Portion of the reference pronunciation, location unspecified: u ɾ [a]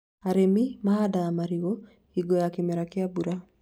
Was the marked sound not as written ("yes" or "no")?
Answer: no